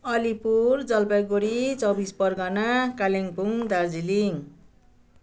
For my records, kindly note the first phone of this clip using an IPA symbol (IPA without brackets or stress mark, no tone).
ʌ